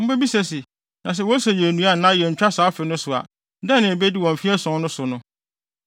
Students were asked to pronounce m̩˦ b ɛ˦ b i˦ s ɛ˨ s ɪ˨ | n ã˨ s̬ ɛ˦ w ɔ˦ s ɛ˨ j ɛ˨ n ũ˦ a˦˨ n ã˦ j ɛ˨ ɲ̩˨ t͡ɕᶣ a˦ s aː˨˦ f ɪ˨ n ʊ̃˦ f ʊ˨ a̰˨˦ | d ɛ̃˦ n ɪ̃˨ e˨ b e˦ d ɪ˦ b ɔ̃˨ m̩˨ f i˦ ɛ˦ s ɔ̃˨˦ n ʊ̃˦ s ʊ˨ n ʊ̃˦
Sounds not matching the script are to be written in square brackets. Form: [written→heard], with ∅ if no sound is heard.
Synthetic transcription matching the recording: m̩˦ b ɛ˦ b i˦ s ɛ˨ s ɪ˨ | n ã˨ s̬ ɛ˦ w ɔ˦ s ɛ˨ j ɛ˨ n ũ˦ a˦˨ n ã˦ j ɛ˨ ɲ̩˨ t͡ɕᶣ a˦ s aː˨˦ f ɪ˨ n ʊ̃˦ [f→s] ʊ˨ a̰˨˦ | d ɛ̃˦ n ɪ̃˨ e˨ b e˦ d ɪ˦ [b→w] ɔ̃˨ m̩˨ f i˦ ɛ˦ s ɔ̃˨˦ n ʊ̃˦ s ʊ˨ n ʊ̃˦